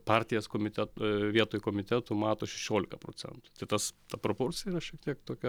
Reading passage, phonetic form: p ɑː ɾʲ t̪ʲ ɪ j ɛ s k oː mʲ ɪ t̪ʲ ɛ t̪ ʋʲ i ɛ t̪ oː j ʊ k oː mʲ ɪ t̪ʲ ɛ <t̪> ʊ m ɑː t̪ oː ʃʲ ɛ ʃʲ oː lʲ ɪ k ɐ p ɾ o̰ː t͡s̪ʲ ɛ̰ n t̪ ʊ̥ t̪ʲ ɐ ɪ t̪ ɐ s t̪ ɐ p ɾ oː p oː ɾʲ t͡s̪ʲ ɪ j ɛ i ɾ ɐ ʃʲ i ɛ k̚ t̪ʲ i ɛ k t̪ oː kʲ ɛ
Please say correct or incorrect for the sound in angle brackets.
correct